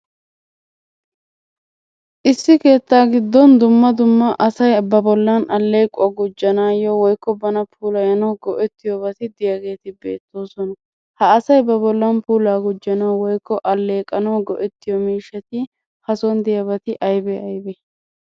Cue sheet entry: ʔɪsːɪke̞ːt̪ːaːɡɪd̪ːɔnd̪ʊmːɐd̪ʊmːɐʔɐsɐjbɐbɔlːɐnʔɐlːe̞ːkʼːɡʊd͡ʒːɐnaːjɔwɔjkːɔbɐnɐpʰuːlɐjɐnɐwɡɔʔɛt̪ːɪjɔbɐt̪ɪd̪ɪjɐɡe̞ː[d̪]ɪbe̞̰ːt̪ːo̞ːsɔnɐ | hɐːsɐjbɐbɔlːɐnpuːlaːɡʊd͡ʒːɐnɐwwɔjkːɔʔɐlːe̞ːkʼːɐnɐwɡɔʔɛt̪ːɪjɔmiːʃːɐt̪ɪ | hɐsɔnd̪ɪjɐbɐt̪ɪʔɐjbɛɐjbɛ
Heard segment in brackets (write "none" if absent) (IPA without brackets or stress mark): t̪